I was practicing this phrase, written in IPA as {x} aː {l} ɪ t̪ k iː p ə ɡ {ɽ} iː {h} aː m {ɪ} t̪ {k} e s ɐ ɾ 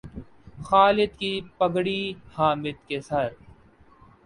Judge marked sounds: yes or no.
yes, yes, yes, yes, yes, yes

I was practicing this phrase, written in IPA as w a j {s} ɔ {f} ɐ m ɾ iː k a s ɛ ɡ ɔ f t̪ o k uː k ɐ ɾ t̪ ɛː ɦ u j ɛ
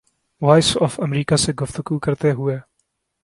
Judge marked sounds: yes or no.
yes, yes

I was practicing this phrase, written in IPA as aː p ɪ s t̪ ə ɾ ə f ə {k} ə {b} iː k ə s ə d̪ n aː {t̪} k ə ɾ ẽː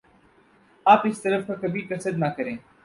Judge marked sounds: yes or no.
yes, yes, no

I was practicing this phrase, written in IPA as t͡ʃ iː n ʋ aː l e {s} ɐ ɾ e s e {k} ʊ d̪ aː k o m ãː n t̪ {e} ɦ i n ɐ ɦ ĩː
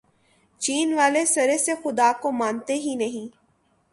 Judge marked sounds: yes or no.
yes, no, yes

